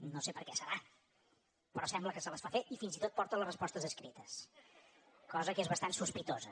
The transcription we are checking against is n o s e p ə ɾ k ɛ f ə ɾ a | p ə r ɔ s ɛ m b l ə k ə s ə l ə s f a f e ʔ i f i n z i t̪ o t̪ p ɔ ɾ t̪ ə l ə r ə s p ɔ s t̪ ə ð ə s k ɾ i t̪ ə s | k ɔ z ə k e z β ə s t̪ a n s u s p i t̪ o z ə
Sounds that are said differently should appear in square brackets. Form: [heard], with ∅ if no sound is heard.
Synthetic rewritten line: n o s e p ə ɾ k ɛ [s] ə ɾ a | p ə [ɾ] ɔ s ɛ m b l ə k ə s ə l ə s f a f e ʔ i f i n z i t̪ o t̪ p ɔ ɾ t̪ ə l ə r ə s p ɔ s t̪ ə [z] ə s k ɾ i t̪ ə s | k ɔ z ə k e z β ə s t̪ a n s u s p i t̪ o z ə